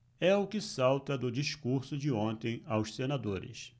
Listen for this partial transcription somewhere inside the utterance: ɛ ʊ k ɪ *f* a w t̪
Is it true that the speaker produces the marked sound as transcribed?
no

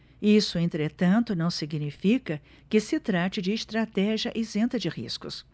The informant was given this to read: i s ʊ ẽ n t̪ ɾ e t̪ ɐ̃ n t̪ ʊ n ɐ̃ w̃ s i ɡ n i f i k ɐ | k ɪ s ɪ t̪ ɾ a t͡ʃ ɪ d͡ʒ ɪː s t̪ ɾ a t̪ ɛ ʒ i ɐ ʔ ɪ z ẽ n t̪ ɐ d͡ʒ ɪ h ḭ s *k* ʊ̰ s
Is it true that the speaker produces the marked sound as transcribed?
yes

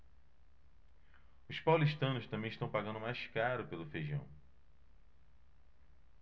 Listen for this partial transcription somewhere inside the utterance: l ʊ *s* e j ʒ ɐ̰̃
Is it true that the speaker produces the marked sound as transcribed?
no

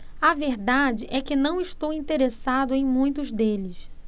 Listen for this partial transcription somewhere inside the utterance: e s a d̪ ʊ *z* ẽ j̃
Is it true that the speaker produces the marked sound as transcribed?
no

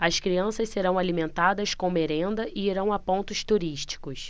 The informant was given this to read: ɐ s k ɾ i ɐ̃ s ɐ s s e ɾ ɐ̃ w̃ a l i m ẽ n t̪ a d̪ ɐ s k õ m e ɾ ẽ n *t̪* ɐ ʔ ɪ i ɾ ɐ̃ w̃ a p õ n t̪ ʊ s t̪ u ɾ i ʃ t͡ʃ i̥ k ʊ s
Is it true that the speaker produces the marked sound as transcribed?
no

